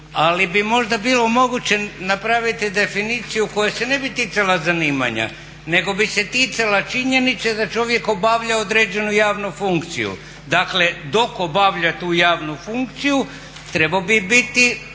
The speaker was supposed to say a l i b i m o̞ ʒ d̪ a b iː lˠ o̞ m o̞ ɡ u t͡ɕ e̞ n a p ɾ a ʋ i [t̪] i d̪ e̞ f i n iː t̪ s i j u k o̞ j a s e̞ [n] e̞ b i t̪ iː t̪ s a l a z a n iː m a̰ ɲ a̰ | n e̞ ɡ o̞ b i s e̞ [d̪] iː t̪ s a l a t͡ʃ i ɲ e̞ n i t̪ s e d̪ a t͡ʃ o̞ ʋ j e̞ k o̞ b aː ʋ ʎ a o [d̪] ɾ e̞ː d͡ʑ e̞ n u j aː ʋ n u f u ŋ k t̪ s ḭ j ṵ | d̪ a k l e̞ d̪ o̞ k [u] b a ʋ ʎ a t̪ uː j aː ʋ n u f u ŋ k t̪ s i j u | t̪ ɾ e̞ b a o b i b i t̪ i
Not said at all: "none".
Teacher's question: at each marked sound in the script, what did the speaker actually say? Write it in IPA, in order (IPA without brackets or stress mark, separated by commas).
t̪, n, t̪, d̪, o